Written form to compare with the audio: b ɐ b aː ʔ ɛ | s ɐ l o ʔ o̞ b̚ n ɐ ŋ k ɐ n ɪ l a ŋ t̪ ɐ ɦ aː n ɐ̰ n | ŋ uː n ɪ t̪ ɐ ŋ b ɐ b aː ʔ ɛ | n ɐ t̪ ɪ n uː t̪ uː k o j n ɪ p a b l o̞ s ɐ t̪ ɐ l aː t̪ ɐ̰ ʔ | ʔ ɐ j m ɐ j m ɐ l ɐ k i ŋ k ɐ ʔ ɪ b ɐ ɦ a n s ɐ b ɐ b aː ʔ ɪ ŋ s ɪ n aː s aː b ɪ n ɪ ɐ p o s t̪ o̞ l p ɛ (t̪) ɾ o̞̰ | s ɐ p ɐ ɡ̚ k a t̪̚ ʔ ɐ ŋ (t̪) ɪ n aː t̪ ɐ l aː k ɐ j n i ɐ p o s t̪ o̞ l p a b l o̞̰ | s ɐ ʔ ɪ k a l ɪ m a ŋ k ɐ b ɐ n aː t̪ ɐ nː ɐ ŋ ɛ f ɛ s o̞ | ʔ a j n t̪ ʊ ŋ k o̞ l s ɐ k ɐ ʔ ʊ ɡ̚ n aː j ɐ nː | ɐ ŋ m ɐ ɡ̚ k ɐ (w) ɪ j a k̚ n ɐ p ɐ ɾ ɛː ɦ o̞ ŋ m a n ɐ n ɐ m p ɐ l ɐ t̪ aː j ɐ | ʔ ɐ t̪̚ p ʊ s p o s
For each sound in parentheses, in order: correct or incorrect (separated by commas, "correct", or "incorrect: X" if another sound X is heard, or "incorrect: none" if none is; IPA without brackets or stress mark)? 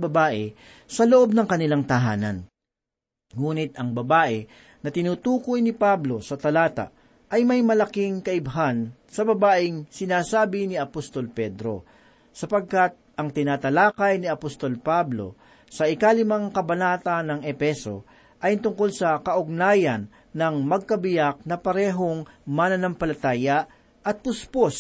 incorrect: d̪, correct, incorrect: b